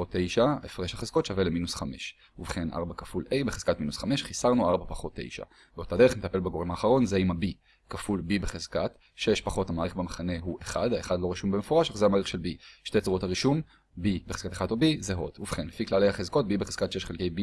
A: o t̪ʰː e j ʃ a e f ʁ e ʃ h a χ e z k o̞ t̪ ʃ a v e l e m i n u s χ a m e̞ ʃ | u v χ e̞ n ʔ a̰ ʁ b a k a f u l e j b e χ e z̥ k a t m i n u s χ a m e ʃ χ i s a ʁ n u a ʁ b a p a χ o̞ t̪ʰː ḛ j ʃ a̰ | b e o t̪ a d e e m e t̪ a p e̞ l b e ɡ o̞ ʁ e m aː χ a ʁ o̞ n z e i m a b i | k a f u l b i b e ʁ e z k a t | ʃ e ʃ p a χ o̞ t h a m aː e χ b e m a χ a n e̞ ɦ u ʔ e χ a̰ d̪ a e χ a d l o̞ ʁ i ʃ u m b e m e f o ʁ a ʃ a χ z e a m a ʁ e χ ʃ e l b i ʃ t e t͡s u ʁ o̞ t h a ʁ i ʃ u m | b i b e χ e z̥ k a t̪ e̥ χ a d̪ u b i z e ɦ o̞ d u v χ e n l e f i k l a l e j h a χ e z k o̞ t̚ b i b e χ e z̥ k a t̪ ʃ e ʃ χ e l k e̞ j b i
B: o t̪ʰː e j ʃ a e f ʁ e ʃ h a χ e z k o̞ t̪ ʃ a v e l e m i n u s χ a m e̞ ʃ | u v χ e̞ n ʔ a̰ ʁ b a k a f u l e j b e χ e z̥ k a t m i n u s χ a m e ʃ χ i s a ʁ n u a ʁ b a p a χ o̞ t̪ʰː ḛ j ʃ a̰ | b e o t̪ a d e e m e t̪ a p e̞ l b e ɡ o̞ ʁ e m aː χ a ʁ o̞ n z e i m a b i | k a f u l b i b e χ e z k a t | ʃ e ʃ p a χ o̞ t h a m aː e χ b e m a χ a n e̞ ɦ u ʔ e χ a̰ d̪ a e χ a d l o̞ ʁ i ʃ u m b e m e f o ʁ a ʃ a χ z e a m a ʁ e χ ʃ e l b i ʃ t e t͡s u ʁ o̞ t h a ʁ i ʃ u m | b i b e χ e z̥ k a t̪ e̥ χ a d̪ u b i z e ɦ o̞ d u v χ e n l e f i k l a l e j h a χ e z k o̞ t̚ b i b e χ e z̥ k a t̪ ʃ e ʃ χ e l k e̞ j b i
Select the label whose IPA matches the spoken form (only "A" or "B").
B